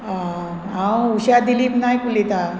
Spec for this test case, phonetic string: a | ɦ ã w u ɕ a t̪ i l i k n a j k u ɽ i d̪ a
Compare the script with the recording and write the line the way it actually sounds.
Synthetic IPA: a | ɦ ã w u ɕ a d̪ i l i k n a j k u l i t̪ a